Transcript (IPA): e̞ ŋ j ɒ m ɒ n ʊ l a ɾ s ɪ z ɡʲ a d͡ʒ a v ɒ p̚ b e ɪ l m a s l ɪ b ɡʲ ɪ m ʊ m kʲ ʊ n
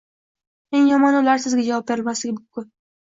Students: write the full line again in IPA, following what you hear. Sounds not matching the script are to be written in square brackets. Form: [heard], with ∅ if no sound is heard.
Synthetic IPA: e̞ ŋ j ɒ m ɒ n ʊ l a ɾ s ɪ z ɡʲ a d͡ʒ a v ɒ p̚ b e ɪ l m a s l ɪ [∅] ɡʲ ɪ m ʊ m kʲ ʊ n